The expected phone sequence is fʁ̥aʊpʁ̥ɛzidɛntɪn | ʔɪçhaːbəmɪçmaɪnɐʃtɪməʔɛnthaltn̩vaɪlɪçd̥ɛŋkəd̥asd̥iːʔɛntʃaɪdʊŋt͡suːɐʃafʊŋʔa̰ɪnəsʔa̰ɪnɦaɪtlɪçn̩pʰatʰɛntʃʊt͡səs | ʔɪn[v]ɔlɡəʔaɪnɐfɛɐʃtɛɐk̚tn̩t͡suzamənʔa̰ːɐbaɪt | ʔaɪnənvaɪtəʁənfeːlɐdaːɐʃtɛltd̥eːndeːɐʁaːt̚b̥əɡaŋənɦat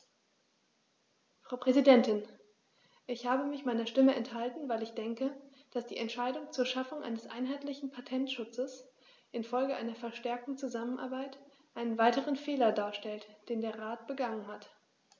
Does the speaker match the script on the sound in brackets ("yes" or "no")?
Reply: no